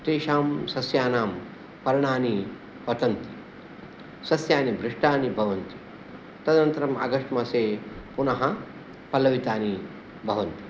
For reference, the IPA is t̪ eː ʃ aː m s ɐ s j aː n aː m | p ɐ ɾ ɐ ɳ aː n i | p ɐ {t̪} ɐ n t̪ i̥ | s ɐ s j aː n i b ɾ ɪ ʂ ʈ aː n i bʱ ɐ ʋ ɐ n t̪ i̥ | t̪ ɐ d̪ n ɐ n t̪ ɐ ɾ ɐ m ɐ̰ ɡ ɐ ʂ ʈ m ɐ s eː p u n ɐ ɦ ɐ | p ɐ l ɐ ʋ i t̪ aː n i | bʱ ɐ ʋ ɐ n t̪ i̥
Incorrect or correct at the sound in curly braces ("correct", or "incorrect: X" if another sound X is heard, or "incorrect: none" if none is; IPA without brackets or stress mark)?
correct